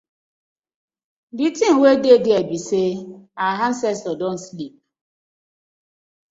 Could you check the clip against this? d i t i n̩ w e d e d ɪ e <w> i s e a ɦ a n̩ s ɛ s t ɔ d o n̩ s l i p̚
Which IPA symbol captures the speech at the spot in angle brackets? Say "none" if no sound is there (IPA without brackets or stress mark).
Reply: b